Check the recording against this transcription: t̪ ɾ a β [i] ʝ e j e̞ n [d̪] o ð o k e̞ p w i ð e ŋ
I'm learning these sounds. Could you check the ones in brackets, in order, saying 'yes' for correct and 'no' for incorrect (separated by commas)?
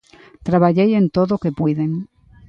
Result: no, no